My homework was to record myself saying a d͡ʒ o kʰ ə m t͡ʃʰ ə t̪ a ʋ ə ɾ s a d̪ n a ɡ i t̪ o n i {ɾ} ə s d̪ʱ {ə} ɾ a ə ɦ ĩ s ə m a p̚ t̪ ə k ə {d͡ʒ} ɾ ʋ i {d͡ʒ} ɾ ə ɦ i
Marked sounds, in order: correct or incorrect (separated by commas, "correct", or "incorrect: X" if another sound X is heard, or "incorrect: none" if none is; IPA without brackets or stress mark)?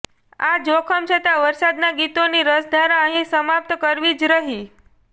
correct, incorrect: a, incorrect: none, correct